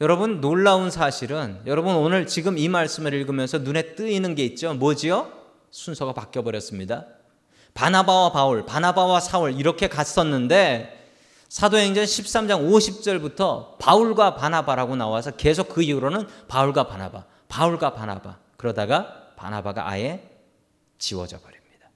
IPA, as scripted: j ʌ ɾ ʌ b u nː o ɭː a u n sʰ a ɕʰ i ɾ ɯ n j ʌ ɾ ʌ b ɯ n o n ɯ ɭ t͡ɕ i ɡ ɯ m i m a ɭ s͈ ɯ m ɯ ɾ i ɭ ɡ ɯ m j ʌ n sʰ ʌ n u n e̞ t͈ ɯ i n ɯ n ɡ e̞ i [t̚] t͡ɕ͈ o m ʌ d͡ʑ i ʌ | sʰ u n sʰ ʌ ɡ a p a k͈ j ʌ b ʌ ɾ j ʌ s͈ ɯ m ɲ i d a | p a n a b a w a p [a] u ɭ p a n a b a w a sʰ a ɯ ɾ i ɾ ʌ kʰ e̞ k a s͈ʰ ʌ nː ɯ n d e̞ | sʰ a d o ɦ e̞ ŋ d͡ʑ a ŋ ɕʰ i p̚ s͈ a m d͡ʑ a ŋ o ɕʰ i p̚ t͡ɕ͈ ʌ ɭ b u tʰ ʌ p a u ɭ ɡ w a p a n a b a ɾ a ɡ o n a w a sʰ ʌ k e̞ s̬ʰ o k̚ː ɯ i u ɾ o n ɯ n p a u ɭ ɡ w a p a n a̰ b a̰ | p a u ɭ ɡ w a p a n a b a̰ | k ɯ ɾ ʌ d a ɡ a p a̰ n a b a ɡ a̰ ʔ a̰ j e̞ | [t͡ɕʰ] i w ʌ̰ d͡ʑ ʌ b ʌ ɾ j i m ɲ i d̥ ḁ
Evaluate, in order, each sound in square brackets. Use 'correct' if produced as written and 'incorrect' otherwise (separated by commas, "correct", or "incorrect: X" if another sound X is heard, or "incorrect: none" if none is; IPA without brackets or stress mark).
correct, correct, incorrect: t͡ɕ